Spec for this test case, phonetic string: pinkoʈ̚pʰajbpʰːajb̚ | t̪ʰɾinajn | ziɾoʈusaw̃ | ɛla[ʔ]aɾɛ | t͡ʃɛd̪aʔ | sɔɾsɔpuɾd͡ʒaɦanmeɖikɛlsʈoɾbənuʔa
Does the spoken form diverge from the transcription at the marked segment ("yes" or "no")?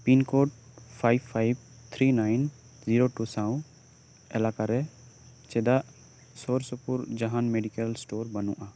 yes